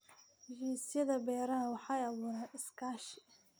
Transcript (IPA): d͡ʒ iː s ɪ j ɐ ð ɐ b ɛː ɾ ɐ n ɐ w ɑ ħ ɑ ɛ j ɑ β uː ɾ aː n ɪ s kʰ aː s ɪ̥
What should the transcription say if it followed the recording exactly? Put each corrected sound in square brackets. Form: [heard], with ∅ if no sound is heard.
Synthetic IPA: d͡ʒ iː s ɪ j ɐ ð ɐ b ɛː ɾ ɐ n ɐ w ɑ ħ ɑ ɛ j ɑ β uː ɾ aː n ɪ s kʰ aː [ʃ] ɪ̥